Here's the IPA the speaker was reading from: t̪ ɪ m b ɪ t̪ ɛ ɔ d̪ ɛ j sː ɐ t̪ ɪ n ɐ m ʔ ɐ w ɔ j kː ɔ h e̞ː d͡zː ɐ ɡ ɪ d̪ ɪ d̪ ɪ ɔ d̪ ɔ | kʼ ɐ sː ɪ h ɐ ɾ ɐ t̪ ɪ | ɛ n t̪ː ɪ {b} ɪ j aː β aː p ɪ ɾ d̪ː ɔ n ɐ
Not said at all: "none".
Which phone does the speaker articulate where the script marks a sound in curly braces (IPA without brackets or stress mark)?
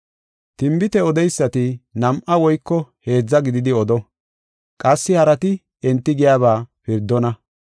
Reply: ɡ